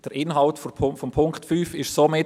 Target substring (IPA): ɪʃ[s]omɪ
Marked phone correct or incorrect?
correct